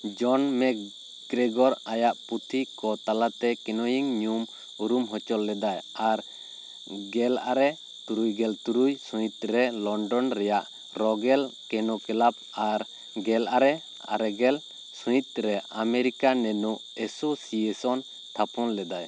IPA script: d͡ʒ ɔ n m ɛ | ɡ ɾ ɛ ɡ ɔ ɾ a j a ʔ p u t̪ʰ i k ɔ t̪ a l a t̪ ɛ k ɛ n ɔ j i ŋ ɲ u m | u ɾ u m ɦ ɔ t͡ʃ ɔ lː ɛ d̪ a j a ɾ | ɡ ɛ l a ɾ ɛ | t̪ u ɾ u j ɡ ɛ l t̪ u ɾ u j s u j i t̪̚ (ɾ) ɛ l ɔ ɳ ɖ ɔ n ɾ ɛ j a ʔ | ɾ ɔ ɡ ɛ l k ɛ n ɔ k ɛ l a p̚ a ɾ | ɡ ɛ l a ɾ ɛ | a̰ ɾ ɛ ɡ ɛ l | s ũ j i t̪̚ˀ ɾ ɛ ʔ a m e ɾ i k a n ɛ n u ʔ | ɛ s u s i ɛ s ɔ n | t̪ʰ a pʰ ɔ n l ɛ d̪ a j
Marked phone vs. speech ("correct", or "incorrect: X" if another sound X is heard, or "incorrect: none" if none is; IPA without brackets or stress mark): correct